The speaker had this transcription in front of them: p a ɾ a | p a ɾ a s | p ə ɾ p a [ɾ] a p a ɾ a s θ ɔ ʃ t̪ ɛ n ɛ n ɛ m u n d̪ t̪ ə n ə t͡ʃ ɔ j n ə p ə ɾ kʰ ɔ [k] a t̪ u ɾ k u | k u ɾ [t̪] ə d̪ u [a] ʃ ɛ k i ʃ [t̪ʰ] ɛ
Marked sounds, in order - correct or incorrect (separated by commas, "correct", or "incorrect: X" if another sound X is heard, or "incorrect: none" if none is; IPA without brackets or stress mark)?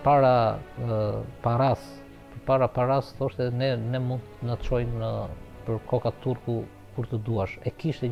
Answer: correct, correct, correct, correct, incorrect: t̪